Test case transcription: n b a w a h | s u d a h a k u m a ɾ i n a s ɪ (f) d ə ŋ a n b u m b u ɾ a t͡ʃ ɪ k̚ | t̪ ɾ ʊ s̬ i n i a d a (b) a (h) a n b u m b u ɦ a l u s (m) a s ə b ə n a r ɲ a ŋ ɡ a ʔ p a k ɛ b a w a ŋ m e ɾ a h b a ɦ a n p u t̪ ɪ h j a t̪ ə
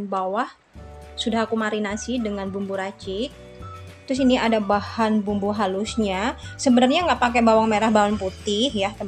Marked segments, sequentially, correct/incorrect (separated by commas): incorrect, correct, correct, incorrect